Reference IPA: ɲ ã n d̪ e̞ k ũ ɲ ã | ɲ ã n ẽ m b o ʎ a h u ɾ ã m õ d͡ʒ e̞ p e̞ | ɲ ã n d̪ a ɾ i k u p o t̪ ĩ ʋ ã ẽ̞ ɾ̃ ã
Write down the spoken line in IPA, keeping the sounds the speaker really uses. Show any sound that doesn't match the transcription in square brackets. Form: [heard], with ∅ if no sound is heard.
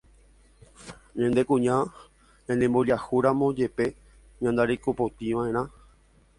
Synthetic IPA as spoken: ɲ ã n d̪ e̞ k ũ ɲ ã | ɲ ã n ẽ m b o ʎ a h u ɾ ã m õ d͡ʒ e̞ p e̞ | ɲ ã n d̪ a ɾ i k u p o t̪ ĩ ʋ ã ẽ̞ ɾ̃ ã